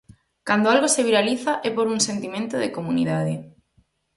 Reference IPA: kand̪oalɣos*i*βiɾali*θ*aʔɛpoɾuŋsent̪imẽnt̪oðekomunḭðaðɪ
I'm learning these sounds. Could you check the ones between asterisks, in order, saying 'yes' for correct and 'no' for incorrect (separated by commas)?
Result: no, yes